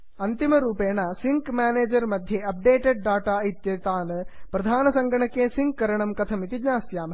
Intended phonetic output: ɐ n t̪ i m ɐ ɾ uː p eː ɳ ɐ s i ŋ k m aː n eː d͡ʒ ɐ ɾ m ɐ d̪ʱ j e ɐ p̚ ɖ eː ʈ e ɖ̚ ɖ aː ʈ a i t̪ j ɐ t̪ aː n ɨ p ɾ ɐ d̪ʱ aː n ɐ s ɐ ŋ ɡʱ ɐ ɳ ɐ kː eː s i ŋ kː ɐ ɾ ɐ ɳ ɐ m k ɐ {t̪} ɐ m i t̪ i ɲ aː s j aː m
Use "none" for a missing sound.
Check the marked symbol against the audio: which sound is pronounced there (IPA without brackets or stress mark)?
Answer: t̪ʰ